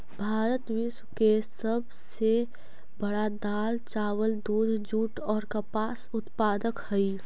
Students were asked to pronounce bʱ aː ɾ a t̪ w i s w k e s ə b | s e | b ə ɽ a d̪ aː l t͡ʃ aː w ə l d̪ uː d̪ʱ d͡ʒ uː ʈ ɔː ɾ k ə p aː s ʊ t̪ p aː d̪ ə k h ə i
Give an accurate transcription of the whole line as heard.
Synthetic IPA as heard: bʱ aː ɾ ə t̪ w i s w k e s ə b | s e | b ə ɽ a d̪ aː l t͡ʃ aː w ə l d̪ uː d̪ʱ d͡ʒ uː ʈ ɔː ɾ k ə p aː s ʊ t̪ p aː d̪ ə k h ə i